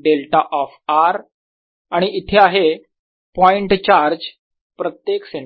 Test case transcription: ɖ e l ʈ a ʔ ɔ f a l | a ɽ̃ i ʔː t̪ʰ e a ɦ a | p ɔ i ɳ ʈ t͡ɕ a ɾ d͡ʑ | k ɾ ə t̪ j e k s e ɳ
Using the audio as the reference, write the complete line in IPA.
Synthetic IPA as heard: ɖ e l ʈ a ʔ ɔ f a ɾ | a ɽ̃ i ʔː t̪ʰ e a ɦ e | p ɔ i ɳ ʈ t͡ɕ a ɾ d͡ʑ | p ɾ ə t̪ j e k s e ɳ

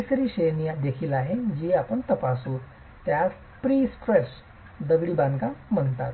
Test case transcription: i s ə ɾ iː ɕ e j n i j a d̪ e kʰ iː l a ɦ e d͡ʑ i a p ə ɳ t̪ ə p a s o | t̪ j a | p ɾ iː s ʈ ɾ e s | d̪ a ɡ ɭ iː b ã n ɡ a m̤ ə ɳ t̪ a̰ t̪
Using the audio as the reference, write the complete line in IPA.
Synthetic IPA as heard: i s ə ɾ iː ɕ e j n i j a d̪ e kʰ iː l a ɦ e d͡ʑ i a p ə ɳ t̪ ə p a s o | t̪ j a | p ɾ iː s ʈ ɾ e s | d̪ ə ɡ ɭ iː b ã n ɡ a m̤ ə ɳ t̪ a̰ t̪

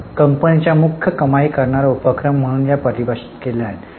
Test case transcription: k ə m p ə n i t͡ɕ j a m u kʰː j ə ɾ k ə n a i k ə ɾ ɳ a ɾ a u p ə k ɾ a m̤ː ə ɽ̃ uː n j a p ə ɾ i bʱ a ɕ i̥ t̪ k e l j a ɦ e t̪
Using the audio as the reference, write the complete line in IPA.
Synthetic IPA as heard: k ə m p ə n i t͡ɕ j a m u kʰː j ə k ə m a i k ə ɾ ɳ a ɾ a u p ə k ɾ ə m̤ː ə ɽ̃ uː n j a p ə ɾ i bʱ a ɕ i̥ t̪ k e l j a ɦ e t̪

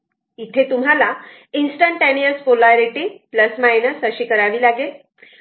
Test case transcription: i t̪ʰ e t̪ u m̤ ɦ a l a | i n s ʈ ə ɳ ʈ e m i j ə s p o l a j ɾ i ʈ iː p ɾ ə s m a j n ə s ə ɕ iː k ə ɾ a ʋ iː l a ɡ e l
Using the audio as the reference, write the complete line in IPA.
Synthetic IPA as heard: i t̪ʰ e t̪ u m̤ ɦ a l a | i n s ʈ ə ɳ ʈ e n i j ə s p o l a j ɾ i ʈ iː p l ə s m a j n ə s ə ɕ iː k ə ɾ a ʋ iː l a ɡ e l

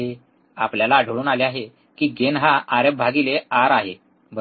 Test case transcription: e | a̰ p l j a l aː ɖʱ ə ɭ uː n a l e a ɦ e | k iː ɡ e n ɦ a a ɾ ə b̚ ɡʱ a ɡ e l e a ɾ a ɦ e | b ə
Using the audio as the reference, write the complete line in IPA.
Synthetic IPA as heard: e | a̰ p l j a l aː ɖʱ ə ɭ uː n a l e a ɦ e | k iː ɡ e n ɦ a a ɾ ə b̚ bʱ a ɡ i l e a ɾ a ɦ e | b ə

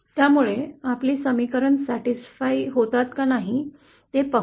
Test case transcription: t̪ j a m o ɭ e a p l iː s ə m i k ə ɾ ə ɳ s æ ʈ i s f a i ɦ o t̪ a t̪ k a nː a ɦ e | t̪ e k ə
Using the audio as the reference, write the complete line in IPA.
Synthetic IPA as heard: t̪ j a m u ɭ e a p l iː s ə m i k ə ɾ ə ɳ s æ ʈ i s f a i ɦ o t̪ a t̪ k a n a ɦ i | t̪ e p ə

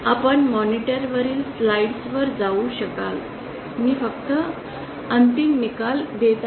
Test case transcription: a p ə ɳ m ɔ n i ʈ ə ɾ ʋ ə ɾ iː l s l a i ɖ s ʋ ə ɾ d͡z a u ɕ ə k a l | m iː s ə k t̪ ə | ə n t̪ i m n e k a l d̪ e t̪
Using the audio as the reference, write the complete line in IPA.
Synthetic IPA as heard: a p ə ɳ m ɔ n i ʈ ə ɾ ʋ ə ɾ iː l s l a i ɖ s ʋ ə ɾ d͡z a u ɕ ə k a l | m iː f ə k t̪ ə | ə n t̪ i m n i k a l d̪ e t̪

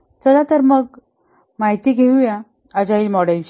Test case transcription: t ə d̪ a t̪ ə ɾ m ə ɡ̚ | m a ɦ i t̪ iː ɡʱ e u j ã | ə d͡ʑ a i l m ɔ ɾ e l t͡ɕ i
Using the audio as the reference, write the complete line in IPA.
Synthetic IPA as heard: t ə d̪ a t̪ ə ɾ m ə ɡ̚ | m a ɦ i t̪ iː ɡʱ e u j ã | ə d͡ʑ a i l m ɔ ɽ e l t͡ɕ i

